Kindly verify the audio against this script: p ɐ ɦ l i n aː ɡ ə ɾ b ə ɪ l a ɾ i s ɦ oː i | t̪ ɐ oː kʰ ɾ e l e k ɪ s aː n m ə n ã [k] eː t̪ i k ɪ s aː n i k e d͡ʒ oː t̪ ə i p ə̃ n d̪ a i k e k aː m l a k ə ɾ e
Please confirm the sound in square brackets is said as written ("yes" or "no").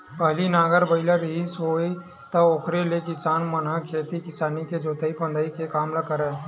no